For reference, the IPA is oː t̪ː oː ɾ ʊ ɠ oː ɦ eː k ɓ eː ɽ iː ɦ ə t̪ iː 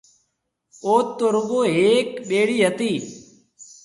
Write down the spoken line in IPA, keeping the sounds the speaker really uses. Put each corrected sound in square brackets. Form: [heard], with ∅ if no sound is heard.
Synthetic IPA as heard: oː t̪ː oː ɾ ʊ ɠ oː ɦ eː k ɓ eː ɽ iː ɦ ə t̪ iː